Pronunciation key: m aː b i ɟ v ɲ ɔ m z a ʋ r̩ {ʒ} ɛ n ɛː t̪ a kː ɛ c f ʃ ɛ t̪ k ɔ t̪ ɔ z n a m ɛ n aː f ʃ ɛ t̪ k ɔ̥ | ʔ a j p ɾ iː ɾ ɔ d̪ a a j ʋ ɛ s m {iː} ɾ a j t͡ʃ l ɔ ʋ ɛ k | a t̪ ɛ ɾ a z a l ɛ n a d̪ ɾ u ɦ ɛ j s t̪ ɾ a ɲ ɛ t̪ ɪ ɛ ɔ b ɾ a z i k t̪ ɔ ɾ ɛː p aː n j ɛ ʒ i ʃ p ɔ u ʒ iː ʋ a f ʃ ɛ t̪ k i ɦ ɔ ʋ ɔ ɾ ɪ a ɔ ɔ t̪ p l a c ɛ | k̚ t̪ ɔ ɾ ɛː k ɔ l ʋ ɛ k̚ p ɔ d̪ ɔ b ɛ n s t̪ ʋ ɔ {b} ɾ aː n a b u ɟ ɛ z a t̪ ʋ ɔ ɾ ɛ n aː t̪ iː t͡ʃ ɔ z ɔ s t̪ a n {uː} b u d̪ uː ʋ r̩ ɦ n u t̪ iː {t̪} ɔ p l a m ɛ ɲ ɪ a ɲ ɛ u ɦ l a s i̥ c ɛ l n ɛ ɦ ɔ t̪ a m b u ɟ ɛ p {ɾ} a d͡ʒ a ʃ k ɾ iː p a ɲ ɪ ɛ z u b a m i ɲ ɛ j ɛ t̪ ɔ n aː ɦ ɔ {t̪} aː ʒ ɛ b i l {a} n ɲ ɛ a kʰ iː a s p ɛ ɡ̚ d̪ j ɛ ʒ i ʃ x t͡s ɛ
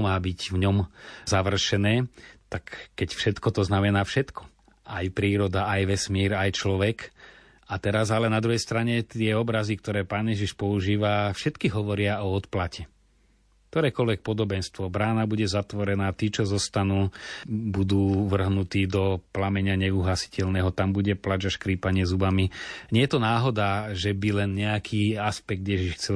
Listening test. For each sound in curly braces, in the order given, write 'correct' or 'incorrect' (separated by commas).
incorrect, correct, correct, correct, incorrect, incorrect, incorrect, incorrect